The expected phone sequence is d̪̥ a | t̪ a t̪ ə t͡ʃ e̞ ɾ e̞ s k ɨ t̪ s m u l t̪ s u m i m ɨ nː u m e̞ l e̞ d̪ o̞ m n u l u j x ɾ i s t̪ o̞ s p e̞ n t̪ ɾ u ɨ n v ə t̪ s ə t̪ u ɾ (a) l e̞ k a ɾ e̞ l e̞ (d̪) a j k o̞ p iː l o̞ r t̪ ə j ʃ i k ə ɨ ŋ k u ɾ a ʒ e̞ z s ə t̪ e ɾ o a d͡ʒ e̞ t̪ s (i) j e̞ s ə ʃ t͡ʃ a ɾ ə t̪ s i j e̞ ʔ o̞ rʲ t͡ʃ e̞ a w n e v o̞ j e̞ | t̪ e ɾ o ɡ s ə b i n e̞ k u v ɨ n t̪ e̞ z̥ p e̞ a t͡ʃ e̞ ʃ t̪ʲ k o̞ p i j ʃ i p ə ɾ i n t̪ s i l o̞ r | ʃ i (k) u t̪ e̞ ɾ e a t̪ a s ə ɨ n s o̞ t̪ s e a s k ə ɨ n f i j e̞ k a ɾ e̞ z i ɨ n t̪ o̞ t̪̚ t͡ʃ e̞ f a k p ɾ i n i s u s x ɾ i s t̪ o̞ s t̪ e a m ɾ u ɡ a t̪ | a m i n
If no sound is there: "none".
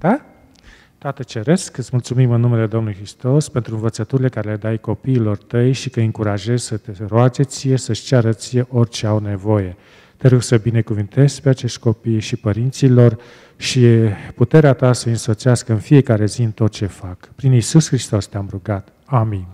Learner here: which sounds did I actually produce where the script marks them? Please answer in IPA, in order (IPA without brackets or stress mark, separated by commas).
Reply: i, d̪, i, p